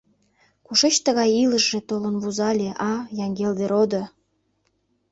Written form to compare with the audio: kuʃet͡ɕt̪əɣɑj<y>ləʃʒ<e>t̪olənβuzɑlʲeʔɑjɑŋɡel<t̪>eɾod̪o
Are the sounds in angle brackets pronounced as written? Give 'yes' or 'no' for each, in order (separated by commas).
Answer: no, yes, no